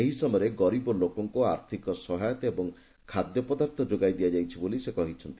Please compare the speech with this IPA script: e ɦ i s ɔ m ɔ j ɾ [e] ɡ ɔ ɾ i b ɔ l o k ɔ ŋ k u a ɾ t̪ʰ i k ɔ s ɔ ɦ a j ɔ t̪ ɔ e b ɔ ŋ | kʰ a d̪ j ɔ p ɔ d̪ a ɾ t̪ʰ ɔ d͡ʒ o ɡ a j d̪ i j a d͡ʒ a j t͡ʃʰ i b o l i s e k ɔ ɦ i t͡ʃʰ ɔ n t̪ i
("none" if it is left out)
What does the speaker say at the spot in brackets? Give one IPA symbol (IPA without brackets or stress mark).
e